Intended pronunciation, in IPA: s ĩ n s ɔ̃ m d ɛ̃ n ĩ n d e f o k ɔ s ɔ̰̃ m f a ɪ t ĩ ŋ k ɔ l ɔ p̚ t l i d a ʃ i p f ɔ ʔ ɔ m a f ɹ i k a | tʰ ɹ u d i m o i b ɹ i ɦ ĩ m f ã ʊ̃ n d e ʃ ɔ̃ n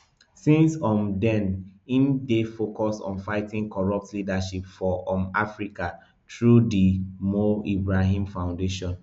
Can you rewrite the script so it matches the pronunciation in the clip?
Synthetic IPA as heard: s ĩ n s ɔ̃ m d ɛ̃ n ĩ n d e f o k ɔ s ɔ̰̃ n f a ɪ t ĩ ŋ k ɔ ɹ ɔ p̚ t l i d a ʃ i p f ɔ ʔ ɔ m a f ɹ i k a | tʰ ɹ u d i m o i b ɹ a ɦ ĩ m f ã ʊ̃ n d e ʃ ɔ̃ n